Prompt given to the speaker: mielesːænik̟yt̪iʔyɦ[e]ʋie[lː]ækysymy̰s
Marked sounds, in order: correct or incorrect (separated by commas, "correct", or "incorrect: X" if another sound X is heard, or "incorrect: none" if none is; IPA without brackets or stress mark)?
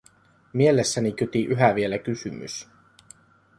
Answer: incorrect: æ, incorrect: l